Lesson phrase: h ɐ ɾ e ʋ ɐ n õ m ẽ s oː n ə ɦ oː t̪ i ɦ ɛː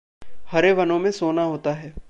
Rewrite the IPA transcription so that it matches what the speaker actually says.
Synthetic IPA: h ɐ ɾ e ʋ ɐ n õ m ẽ s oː n a ɦ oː t̪ a ɦ ɛː